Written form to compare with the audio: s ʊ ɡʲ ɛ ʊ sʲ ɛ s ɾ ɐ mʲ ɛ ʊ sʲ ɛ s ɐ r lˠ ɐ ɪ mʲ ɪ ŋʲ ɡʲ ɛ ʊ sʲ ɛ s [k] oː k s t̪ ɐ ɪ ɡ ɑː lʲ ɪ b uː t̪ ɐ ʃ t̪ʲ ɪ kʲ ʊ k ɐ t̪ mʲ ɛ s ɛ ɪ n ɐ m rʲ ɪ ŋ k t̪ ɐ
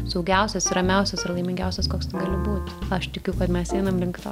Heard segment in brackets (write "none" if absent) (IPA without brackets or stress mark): k